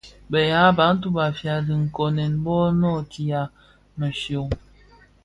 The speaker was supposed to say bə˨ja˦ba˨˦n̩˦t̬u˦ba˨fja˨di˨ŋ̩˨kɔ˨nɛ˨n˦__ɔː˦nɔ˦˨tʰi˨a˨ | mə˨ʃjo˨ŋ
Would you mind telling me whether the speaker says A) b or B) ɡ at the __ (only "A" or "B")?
A